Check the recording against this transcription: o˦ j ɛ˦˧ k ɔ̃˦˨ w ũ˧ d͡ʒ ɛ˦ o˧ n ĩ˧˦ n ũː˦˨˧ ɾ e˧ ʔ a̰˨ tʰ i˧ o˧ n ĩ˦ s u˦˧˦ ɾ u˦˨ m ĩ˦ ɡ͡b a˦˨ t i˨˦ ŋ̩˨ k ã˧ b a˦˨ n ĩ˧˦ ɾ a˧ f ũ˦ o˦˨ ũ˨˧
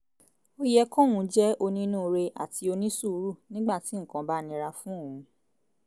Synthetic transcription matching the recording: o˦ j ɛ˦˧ k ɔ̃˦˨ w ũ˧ d͡ʒ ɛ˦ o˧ n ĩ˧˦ n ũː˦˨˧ ɾ e˧ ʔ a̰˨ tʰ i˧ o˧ n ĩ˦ s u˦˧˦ ɾ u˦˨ n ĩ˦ ɡ͡b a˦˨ t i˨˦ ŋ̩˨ k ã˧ b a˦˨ n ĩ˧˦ ɾ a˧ f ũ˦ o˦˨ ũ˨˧